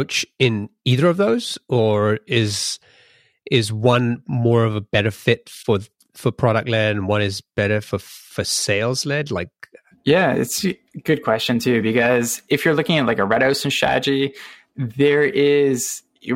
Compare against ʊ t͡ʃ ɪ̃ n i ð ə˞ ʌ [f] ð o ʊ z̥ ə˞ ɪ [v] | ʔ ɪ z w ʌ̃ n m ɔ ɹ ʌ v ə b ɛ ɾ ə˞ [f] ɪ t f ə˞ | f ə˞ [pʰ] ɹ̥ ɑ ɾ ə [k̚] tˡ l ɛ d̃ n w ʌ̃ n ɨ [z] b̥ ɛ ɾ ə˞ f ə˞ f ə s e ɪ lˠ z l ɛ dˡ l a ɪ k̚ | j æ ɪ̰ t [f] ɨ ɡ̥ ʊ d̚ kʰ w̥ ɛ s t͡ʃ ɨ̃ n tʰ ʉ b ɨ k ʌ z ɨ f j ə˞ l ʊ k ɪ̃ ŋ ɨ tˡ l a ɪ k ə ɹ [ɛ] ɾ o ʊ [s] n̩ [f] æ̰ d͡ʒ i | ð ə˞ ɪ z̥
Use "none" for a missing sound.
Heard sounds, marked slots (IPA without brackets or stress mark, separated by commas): v, z, f, pʰ, k̚, z, s, ɛ, s, ʃ